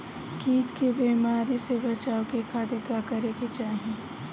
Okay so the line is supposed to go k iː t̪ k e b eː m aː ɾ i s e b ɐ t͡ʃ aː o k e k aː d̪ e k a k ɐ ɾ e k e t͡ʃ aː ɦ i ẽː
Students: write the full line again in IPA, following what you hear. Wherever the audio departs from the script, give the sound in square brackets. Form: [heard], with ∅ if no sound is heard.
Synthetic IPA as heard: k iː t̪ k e b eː m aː ɾ i s e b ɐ t͡ʃ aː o k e k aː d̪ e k a k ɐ ɾ e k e t͡ʃ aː ɦ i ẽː